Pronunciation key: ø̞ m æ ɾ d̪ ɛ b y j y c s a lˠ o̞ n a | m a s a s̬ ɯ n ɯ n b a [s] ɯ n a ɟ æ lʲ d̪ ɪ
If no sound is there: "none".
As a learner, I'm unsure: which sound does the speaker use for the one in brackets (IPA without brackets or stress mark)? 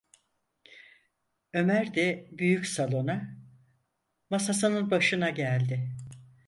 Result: ʃ